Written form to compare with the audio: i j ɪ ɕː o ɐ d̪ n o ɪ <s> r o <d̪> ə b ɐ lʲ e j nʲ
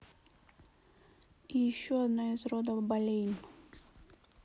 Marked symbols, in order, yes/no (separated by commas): no, yes